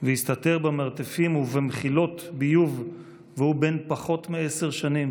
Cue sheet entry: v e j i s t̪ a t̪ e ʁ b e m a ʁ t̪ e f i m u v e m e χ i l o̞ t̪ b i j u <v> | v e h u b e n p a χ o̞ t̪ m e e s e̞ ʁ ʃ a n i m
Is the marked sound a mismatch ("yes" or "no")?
no